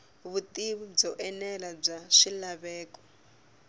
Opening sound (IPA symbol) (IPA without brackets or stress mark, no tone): β